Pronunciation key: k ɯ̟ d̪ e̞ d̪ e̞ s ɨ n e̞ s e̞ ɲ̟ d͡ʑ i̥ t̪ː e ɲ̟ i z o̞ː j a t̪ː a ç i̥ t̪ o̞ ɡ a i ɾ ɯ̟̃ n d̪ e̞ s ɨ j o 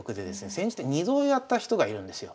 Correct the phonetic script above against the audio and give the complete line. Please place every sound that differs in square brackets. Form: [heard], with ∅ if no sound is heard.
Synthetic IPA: k ɯ̟ d̪ e̞ d̪ e̞ s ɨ n e̞ s [ẽ̞] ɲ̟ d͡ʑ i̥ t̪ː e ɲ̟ i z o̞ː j a t̪ː a ç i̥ t̪ o̞ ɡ a i ɾ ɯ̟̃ n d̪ e̞ s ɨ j o